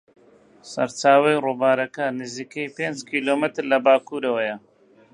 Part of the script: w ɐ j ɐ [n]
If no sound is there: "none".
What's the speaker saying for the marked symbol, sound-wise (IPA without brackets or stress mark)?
none